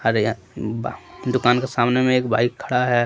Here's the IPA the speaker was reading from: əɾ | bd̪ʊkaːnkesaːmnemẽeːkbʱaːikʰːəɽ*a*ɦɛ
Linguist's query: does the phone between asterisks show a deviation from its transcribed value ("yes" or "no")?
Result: no